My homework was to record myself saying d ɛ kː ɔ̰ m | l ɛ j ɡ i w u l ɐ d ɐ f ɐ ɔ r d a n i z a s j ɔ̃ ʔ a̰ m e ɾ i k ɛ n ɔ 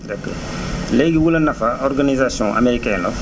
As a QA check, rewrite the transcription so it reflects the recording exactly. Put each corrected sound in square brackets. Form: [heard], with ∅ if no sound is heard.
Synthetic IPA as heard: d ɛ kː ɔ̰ [∅] | l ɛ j ɡ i w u l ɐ [n] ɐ f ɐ ɔ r [ɡ] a n i z a s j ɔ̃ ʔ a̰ m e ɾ i k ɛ n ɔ